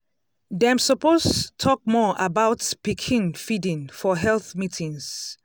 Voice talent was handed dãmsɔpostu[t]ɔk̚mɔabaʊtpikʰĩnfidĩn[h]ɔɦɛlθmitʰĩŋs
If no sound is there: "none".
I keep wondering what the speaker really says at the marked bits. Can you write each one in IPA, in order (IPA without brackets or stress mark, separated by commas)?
tʰ, f